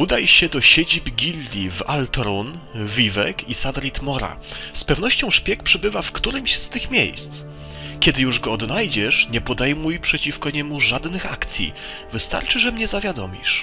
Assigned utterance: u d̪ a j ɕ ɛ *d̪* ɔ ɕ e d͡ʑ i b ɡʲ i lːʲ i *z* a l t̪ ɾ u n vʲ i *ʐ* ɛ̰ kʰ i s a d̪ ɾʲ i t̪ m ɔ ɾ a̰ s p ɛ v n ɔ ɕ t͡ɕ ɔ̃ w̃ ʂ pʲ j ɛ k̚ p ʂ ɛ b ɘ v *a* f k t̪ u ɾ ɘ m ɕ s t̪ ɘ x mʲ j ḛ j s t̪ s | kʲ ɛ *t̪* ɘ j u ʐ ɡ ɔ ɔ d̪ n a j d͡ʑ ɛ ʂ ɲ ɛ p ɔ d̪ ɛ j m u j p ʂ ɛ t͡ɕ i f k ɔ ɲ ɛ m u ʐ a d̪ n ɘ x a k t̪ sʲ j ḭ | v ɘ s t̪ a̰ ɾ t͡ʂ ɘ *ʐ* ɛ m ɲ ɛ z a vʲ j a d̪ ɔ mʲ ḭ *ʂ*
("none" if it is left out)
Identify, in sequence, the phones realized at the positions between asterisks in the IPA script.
d̪, v, v, a, d̪, ʐ, ʂ

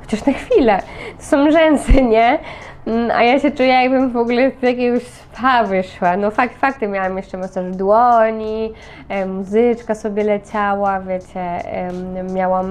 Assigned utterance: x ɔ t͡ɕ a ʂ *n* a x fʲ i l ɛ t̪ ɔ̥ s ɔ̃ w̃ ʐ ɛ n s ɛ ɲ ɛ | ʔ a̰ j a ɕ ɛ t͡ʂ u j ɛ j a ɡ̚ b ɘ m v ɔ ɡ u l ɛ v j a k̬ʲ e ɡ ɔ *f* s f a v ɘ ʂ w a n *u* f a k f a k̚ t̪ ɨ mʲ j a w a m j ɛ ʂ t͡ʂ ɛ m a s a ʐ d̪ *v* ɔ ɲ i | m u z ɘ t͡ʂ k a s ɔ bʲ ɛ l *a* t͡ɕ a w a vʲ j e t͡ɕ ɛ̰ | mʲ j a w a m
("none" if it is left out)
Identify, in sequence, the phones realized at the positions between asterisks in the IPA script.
n, ɕ, ɔ, w, ɛ

